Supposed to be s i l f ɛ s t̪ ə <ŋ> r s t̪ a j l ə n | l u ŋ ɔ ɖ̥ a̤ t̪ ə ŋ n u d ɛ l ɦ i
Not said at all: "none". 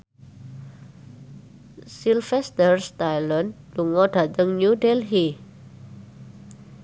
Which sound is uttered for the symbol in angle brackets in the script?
none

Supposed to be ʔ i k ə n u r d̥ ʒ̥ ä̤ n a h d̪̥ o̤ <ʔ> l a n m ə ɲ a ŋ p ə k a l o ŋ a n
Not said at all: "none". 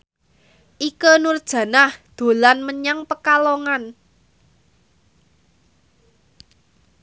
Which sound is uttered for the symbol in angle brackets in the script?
none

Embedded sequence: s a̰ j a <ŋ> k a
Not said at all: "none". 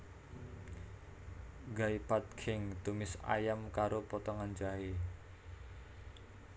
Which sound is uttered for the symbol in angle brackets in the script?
m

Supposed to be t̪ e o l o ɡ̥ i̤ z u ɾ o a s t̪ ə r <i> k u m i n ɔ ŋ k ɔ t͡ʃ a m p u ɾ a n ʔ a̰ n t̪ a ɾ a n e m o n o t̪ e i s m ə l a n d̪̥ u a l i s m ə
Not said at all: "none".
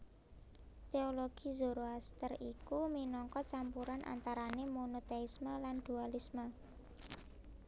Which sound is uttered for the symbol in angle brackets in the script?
i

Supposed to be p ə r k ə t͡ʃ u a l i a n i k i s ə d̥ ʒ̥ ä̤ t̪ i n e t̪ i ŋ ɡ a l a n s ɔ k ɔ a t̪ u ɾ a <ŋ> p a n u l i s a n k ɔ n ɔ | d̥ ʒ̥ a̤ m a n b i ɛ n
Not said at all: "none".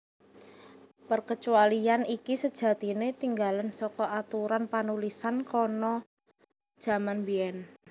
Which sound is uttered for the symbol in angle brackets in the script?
n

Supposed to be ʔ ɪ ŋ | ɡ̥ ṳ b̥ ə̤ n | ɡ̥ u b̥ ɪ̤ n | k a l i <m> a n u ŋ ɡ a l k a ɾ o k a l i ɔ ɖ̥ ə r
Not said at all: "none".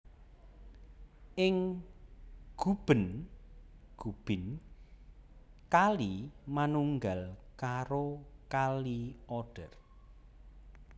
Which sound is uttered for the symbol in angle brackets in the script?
m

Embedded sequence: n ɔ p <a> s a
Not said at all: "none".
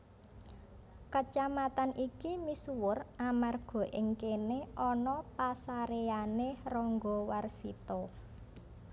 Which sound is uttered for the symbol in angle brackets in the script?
a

